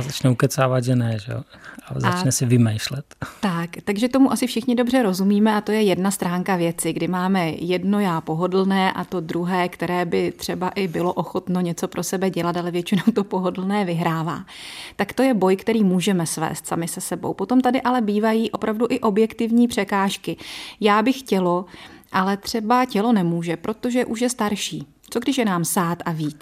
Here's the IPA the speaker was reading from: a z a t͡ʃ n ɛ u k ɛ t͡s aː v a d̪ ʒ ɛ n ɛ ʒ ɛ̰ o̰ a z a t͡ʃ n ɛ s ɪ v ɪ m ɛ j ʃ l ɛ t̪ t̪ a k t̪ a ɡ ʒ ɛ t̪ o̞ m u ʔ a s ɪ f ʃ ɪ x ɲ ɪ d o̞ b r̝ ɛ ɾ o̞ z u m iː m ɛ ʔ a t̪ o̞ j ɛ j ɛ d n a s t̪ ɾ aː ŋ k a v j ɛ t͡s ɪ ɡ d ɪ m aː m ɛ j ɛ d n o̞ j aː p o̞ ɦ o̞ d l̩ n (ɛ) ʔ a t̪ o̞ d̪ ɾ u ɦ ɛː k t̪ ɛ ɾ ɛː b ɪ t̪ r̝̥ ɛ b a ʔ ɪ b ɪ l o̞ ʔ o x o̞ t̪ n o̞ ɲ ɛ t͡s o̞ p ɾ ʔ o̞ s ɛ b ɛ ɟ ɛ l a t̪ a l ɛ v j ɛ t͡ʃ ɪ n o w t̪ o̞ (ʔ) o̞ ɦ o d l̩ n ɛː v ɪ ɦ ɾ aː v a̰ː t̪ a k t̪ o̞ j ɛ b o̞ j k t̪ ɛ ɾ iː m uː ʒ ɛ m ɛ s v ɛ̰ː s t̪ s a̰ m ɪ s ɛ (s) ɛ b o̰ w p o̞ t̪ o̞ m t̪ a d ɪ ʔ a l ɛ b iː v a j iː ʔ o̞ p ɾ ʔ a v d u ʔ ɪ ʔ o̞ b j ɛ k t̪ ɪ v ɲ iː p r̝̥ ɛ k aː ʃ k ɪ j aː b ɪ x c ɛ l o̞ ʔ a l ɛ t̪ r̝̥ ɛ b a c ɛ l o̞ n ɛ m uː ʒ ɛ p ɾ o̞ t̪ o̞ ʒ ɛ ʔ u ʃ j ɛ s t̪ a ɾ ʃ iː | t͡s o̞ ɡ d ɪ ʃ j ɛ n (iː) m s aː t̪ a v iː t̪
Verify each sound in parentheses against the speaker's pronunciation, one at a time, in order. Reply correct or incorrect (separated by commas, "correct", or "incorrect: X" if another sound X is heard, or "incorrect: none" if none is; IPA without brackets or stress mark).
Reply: incorrect: ɛː, incorrect: p, correct, incorrect: aː